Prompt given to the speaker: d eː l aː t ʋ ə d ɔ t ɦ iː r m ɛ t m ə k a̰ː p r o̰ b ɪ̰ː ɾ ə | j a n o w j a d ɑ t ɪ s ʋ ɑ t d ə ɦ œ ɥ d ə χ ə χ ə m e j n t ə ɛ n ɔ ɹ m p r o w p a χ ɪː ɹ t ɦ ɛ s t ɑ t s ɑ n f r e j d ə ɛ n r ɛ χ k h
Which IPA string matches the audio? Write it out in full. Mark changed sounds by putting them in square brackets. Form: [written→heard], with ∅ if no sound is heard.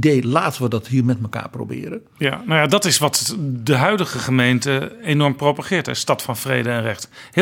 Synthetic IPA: d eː l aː t ʋ ə d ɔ t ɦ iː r m ɛ t m ə k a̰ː p r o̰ b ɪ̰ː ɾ ə | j a n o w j a d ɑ t ɪ s ʋ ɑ t d ə ɦ œ ɥ d ə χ ə χ ə m e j n t ə [ɛ→e] n ɔ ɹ m p r o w p a χ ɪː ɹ t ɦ ɛ s t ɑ t [s→f] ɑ n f r e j d ə ɛ n r ɛ χ [k→t] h